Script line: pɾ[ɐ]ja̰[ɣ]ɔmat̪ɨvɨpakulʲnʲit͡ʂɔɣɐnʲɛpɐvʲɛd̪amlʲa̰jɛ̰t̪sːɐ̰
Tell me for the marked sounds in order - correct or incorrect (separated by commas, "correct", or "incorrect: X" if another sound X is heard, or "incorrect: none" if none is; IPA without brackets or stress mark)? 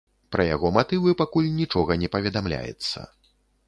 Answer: correct, correct